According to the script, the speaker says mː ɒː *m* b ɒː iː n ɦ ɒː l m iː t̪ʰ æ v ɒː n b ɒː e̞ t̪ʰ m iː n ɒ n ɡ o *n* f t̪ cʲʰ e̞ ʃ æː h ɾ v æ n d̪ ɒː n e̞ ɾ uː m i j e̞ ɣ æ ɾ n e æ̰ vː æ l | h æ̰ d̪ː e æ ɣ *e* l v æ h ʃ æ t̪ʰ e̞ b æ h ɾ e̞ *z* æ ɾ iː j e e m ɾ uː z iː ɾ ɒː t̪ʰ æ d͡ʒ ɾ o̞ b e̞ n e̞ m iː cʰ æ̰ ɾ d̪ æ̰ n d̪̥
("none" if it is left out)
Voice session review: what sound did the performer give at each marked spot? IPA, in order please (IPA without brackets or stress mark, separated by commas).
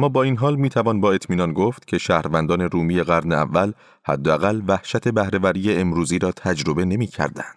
none, none, æ, v